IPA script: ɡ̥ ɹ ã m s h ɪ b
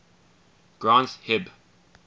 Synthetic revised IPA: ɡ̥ ɹ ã n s h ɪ b